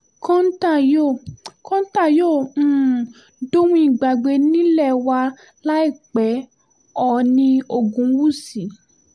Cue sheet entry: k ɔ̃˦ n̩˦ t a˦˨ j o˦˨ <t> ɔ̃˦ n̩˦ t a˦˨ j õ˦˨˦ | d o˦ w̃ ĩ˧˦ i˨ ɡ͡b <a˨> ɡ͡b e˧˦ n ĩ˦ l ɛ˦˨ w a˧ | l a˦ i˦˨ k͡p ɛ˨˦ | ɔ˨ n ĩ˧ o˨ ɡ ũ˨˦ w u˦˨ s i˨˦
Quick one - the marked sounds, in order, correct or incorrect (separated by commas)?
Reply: incorrect, correct